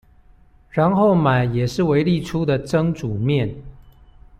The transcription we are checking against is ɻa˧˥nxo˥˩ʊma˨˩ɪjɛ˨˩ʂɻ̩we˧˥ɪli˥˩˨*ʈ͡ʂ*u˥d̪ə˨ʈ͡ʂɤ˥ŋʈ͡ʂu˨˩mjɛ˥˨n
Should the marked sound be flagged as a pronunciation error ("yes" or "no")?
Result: yes